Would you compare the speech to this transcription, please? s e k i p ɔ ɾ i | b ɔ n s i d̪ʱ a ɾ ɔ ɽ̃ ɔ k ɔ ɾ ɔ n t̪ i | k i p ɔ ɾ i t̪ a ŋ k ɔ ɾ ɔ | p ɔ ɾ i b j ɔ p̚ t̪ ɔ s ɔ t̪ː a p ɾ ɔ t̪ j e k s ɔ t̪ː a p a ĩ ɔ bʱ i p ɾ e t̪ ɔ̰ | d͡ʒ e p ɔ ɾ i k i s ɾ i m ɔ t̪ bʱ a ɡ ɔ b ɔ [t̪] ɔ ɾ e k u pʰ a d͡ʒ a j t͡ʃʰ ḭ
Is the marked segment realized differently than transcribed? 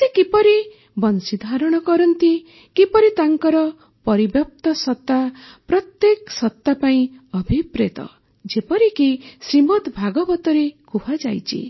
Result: no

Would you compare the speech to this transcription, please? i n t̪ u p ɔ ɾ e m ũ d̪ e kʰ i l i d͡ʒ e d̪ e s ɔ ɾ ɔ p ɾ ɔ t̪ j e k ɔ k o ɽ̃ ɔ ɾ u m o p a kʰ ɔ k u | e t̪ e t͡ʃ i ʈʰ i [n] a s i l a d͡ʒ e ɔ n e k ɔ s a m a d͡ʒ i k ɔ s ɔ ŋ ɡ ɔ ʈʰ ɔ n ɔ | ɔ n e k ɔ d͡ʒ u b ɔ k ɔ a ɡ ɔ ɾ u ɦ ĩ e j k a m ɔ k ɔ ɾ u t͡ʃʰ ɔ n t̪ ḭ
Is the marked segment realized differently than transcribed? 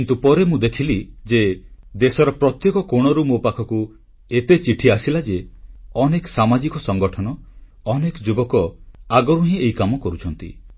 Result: yes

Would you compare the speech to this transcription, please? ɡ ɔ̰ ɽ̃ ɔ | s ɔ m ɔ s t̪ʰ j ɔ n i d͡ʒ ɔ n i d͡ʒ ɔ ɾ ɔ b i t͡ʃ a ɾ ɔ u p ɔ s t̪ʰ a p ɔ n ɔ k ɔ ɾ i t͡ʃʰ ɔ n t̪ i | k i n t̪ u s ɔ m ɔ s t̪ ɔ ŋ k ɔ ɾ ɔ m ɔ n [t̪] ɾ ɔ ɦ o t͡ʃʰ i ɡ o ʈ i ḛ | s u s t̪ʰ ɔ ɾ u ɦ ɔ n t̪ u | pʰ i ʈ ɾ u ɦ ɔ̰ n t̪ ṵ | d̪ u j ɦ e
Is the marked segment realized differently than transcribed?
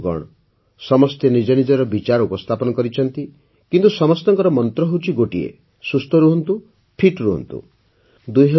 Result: no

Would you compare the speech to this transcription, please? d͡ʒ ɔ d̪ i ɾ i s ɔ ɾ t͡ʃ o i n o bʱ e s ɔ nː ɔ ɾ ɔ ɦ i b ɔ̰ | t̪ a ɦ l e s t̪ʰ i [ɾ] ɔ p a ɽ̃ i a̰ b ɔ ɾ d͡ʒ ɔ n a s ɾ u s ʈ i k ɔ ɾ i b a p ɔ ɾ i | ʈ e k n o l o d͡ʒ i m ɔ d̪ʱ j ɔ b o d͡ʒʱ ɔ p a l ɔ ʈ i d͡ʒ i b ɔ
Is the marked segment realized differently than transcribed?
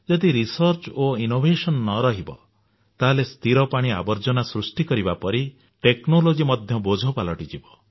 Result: no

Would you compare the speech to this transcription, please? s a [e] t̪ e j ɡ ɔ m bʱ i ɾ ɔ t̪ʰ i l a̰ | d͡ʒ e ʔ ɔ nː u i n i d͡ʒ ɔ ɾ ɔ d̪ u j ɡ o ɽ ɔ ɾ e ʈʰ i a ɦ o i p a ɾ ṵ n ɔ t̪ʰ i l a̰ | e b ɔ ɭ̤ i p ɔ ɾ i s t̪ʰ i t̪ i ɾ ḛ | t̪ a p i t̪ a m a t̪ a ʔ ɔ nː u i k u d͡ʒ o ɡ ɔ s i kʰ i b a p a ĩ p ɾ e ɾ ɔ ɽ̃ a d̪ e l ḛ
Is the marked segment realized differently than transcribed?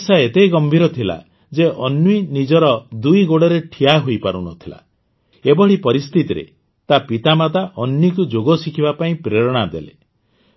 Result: no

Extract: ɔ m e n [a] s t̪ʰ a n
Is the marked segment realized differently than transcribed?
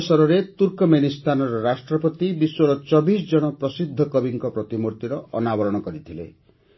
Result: yes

